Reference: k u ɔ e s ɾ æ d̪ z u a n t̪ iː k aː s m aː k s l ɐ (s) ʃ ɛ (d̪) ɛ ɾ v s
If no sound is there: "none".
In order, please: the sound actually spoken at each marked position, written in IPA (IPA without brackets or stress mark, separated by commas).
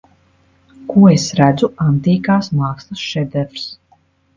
s, d̪